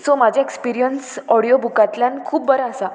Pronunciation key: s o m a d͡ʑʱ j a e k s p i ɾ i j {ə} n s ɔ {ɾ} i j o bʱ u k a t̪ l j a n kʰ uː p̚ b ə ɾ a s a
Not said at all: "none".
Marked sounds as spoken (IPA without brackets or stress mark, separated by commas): ə, ɽ